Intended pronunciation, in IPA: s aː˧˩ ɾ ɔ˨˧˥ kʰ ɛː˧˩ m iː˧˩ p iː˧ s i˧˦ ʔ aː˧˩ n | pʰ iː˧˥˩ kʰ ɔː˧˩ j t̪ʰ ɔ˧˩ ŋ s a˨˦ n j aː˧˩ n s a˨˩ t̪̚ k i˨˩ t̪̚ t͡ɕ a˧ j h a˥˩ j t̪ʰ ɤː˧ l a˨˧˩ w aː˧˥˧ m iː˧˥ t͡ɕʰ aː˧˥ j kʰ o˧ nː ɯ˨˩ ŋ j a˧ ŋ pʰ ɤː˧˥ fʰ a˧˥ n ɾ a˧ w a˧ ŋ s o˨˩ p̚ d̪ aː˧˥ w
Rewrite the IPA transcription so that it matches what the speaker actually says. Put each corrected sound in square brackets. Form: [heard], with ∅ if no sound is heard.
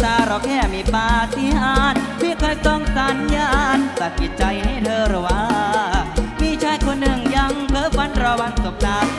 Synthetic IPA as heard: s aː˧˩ ɾ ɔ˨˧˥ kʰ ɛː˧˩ m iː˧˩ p [aː˧] s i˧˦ ʔ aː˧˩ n | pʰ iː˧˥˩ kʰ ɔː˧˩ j [t̪] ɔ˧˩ ŋ s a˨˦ n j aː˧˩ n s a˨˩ t̪̚ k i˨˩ t̪̚ t͡ɕ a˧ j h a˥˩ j t̪ʰ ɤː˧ [ɾ] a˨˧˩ w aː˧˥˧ m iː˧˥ t͡ɕʰ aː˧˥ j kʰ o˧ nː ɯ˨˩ ŋ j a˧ ŋ pʰ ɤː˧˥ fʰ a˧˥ n ɾ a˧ w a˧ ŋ s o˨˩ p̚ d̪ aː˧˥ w